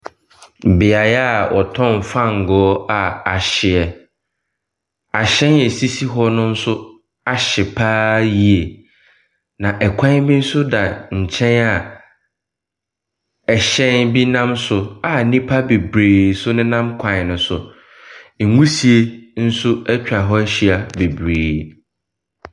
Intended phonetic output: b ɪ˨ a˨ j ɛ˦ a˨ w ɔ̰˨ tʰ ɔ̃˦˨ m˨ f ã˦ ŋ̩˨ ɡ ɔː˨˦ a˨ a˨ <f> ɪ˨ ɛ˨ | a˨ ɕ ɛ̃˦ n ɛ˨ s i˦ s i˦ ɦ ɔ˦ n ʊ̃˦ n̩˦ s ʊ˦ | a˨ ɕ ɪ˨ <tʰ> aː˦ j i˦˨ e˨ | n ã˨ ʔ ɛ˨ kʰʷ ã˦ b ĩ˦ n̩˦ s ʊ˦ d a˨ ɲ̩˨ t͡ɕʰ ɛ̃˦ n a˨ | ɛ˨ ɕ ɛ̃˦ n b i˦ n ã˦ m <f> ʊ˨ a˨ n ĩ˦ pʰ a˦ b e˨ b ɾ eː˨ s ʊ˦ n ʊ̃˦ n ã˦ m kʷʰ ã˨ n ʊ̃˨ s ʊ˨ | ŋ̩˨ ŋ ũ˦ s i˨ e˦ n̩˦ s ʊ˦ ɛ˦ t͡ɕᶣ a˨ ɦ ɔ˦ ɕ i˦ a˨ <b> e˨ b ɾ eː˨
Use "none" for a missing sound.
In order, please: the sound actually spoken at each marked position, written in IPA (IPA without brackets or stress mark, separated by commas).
ɕ, pʰ, s, b